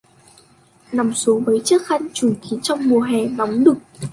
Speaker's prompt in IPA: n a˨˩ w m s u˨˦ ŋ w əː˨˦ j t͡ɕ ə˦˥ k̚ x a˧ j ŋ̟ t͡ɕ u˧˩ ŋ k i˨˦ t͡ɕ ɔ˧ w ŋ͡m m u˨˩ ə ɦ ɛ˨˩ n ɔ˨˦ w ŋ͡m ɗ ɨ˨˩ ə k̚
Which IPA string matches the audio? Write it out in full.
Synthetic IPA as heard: n a˨˩ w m s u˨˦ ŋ v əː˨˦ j t͡ɕ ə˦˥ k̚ x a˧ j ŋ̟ t͡ɕ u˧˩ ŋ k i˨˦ t͡ɕ ɔ˧ w ŋ͡m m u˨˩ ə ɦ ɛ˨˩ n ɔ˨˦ w ŋ͡m ɗ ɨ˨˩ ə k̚